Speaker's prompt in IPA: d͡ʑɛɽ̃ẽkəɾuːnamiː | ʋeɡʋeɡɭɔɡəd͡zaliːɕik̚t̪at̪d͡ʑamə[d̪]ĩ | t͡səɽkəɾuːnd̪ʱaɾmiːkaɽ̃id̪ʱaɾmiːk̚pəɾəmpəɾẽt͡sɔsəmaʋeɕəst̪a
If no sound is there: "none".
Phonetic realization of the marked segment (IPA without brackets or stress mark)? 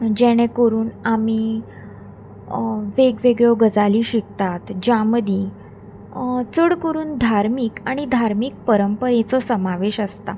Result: d̪